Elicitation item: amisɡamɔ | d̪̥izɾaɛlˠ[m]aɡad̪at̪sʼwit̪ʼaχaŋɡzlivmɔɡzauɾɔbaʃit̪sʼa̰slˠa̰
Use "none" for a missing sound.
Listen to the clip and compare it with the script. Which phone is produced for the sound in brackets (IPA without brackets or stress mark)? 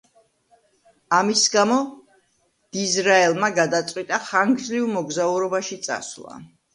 m